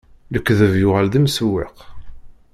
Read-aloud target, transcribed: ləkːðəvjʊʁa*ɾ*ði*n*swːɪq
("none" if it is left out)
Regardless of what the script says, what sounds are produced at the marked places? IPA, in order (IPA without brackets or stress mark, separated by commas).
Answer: l, m